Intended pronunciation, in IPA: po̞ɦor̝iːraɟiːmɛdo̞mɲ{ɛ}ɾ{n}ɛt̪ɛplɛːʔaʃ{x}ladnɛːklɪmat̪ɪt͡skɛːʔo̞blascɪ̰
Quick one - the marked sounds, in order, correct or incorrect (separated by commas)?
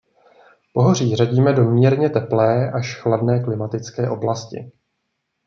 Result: incorrect, incorrect, correct